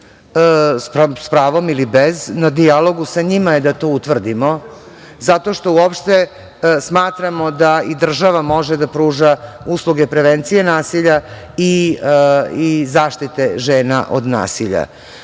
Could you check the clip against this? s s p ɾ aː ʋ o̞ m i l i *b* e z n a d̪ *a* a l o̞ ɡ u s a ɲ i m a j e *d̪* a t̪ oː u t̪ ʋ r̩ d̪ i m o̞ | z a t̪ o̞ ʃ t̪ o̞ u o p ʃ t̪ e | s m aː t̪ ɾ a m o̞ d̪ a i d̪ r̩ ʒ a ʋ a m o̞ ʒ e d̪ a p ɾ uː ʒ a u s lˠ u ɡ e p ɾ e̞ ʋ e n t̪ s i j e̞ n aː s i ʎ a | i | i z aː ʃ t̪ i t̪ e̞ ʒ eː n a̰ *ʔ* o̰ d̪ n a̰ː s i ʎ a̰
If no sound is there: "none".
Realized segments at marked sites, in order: b, i, d̪, ʔ

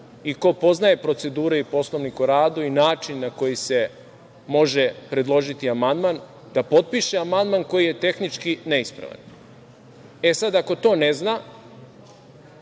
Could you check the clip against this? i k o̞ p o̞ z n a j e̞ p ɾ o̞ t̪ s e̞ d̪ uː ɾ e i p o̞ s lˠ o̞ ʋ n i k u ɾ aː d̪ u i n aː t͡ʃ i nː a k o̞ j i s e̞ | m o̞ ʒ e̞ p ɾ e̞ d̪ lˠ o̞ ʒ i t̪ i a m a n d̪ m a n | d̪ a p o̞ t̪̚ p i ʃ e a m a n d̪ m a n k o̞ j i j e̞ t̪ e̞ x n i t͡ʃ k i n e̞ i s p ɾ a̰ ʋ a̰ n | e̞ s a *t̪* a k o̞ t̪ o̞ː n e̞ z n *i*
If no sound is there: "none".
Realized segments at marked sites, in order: d̪, a

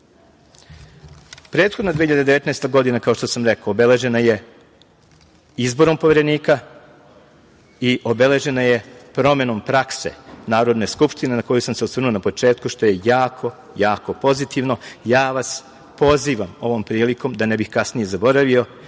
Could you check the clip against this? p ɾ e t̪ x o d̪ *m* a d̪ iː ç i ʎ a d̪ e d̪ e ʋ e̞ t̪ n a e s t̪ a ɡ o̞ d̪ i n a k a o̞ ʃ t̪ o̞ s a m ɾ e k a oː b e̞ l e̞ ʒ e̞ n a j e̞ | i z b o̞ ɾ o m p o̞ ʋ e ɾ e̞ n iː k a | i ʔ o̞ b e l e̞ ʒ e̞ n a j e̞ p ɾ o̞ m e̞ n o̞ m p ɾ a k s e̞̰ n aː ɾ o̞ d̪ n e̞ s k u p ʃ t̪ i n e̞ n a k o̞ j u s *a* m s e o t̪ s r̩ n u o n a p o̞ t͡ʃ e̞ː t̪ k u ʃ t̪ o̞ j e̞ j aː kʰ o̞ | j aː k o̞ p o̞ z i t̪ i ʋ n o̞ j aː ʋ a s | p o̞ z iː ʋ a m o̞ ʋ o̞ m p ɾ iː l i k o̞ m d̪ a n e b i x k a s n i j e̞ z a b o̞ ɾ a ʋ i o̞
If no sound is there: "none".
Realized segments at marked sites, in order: n, a

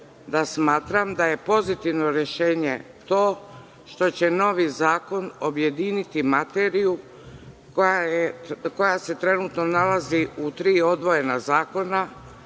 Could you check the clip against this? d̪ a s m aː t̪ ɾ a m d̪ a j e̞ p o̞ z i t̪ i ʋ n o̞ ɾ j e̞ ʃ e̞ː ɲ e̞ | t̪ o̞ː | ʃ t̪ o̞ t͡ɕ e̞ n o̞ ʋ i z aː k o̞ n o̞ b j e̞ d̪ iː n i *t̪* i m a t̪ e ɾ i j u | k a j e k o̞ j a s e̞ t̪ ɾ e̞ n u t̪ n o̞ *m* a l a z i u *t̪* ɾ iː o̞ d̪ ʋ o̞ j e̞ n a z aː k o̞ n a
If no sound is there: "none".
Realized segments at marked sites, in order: t̪, n, t̪

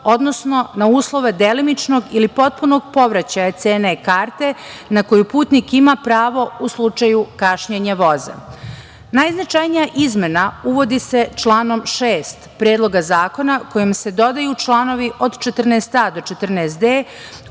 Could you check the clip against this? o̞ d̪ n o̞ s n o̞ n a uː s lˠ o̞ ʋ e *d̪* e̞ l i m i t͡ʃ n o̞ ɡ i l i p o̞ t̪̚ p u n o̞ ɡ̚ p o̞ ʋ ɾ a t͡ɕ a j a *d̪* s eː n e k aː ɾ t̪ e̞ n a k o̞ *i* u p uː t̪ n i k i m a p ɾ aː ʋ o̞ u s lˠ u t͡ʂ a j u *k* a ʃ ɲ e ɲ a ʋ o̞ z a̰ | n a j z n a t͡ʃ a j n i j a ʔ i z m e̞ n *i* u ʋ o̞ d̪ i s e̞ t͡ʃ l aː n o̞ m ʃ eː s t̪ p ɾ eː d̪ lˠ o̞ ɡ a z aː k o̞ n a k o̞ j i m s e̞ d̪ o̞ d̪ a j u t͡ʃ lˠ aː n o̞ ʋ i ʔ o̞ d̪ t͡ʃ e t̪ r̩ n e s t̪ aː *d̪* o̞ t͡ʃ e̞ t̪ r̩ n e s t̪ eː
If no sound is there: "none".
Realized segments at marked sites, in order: d̪, t̪, j, k, a, d̪

